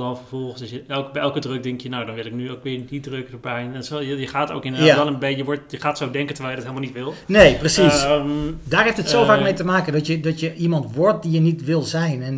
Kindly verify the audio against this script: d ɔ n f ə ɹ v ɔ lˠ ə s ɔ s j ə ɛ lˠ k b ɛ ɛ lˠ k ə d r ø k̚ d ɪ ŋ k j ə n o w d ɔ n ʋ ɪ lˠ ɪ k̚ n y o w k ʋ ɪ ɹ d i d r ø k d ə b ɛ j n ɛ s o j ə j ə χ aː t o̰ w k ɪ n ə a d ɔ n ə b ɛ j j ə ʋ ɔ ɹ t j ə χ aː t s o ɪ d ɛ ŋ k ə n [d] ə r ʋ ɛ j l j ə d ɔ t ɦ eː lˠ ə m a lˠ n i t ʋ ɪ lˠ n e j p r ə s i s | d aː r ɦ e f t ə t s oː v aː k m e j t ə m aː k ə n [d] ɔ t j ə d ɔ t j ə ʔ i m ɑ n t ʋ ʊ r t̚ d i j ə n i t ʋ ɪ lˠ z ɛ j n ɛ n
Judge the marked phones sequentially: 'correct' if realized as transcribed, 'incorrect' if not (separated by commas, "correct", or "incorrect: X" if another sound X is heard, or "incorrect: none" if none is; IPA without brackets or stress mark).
incorrect: t, correct